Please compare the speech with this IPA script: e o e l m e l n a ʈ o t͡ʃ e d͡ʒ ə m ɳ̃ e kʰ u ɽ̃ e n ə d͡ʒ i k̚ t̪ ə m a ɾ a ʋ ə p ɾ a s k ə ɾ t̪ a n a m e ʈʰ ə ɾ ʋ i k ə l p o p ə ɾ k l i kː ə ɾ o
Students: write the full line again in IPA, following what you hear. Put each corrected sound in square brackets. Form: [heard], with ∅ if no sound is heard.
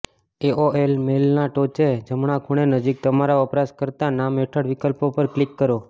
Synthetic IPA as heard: e o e l m e l n a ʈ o t͡ʃ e d͡ʒ ə m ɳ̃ [a] kʰ u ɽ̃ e n ə d͡ʒ i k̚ t̪ ə m a ɾ a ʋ ə p ɾ a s k ə ɾ t̪ a n a m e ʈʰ ə [ɽ] ʋ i k ə l p o p ə ɾ k l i kː ə ɾ o